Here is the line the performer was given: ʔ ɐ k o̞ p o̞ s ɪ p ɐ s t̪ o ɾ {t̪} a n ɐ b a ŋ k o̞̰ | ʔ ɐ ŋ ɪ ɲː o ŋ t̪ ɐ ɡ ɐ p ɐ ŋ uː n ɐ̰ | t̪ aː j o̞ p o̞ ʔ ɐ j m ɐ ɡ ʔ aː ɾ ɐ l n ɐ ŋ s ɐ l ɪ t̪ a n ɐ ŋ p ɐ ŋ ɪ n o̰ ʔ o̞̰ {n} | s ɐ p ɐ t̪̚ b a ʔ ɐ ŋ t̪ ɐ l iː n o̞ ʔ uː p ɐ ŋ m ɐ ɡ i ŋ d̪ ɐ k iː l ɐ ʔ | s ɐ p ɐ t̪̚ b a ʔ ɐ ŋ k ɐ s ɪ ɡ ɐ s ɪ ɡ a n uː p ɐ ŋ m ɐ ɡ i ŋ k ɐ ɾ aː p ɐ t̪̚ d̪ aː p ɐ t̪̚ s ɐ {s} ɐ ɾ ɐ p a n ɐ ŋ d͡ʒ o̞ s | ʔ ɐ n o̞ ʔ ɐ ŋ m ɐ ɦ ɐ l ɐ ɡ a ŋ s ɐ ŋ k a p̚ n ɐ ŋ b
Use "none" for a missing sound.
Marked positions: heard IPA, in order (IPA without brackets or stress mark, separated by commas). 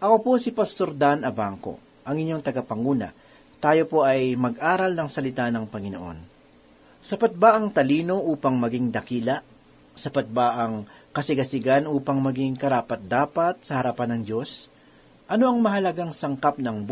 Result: d̪, n, h